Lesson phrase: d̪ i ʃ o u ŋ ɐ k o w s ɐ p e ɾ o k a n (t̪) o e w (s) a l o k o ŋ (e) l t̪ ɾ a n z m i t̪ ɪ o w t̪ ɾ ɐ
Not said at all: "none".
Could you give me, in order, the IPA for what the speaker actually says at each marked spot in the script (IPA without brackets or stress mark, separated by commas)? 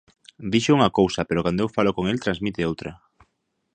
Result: d̪, f, e